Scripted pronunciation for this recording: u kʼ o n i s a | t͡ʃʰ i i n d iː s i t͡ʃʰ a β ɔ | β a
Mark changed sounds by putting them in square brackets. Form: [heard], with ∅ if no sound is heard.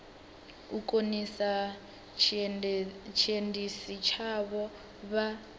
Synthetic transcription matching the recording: u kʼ o n i s a | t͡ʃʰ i [e] n d [i] s i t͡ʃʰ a β ɔ | β a